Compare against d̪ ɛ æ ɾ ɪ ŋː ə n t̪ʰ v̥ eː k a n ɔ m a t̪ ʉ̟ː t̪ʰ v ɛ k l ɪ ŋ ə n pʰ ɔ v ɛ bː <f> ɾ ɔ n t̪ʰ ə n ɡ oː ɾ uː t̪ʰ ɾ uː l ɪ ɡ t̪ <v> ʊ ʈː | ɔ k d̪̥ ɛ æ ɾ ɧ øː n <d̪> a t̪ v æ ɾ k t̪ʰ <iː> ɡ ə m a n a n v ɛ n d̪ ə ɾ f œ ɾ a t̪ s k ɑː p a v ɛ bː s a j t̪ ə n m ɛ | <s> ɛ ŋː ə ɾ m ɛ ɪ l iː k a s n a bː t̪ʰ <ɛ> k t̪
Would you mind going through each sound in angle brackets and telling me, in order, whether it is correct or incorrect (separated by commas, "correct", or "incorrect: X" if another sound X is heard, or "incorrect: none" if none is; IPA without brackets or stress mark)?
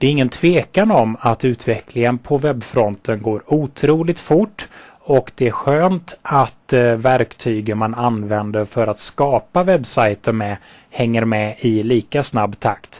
correct, incorrect: f, incorrect: t̪, incorrect: yː, incorrect: h, incorrect: a